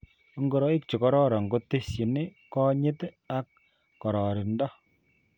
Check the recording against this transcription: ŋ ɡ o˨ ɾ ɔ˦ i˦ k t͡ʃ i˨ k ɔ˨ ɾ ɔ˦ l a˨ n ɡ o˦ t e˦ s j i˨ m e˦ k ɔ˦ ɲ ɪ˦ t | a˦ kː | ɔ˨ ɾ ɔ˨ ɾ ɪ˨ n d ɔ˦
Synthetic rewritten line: ŋ ɡ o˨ ɾ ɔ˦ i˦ k t͡ʃ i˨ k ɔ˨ ɾ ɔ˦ ɾ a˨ ŋ ɡ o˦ t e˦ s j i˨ n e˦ k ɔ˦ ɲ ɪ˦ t | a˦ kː | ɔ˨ ɾ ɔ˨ ɾ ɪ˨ n d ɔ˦